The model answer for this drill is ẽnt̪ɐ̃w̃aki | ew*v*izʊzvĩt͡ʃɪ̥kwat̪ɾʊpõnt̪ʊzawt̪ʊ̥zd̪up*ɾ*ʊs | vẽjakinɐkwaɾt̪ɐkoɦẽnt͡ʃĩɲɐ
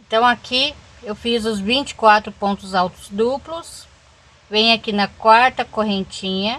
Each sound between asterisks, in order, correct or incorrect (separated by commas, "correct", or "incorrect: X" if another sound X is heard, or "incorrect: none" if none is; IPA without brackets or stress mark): incorrect: f, incorrect: l